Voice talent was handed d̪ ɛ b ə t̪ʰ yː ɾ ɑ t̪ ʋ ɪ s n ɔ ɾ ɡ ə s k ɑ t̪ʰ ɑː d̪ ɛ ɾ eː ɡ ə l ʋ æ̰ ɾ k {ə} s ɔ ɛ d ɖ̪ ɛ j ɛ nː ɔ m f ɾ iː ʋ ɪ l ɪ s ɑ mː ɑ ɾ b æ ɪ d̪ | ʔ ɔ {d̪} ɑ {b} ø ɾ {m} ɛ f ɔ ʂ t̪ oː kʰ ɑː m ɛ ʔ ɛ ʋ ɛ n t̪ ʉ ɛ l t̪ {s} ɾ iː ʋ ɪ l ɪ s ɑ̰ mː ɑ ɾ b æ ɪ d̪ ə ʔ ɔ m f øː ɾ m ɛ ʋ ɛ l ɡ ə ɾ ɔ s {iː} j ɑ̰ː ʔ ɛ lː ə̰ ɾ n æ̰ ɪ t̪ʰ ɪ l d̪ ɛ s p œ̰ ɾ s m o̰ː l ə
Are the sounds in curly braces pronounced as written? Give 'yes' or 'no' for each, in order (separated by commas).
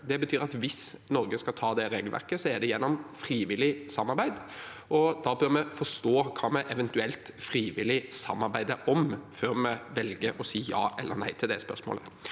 yes, yes, yes, yes, no, yes